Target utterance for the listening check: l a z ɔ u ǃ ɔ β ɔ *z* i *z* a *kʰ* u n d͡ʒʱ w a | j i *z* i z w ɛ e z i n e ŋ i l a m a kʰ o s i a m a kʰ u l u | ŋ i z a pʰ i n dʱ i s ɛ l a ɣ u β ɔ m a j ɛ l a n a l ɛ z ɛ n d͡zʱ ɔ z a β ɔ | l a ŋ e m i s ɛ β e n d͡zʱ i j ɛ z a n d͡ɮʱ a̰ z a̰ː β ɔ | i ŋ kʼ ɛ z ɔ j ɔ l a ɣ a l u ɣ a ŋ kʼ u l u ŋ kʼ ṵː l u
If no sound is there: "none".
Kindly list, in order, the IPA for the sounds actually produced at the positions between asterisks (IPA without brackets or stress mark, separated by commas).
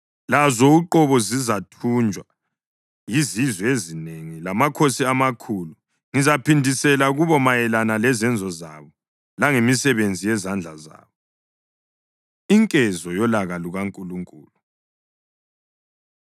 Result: z, z, tʰ, z